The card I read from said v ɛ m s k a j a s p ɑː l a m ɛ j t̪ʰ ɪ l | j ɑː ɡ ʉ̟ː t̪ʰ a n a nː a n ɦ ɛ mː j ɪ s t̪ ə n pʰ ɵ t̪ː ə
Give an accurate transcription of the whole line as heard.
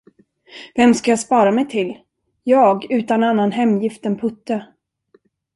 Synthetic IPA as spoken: v ɛ m s k a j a s p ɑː ɾ a m ɛ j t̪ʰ ɪ l | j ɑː ɡ ʉ̟ː t̪ a n a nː a n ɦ ɛ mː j ɪ f t̪ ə n pʰ ɵ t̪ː ə